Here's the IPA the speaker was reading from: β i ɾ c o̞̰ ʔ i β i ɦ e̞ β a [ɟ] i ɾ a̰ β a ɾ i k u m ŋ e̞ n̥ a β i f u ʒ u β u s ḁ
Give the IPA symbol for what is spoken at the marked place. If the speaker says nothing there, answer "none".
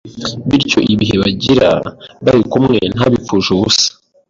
ɟ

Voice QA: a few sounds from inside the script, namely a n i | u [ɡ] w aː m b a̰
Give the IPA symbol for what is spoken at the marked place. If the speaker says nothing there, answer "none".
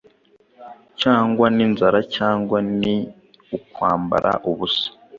k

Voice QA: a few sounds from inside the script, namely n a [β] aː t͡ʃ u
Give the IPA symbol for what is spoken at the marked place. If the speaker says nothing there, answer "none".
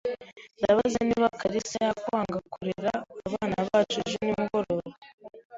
β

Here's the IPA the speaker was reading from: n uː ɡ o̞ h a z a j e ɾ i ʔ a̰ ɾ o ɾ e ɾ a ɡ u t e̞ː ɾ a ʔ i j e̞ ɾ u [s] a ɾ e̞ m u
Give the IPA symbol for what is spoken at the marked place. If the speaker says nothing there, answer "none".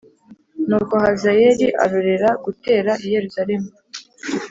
z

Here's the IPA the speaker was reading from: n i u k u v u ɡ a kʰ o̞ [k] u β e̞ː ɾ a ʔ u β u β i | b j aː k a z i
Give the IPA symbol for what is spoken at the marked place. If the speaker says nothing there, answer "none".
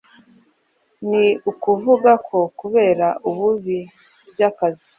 k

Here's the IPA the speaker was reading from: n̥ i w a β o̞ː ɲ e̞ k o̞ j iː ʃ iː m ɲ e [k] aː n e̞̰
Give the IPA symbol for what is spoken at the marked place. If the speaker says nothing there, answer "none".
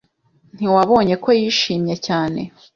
c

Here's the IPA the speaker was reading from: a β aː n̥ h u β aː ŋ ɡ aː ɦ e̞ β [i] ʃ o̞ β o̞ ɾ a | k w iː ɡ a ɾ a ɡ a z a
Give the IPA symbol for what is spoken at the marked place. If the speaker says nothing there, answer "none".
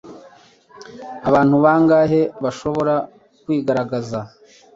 a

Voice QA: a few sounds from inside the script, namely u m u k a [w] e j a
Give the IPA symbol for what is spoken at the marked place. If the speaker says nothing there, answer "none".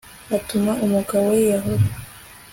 w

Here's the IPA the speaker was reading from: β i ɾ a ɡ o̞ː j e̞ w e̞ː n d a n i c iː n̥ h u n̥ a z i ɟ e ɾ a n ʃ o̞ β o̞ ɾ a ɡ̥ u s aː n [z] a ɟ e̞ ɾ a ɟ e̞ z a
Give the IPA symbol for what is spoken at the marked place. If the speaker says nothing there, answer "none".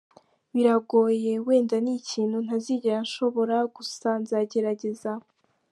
z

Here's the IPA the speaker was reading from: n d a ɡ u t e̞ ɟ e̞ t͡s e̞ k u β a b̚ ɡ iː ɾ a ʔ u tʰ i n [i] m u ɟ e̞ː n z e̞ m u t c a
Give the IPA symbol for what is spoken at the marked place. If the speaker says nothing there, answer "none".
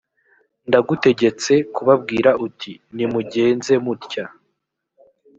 i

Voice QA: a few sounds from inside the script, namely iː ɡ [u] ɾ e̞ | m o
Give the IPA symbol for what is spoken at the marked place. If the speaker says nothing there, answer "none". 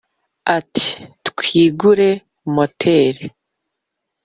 u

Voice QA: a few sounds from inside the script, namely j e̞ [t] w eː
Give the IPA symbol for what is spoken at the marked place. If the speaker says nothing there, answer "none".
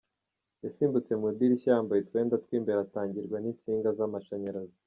t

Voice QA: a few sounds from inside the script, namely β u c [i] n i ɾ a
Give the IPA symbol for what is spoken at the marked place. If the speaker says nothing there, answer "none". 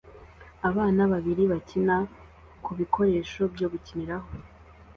i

